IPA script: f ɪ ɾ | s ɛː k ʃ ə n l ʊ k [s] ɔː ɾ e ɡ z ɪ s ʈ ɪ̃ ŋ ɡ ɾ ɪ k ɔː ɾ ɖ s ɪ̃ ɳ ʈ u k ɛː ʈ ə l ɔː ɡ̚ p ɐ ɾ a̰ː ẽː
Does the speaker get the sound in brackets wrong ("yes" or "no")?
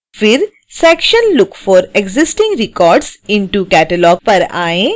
yes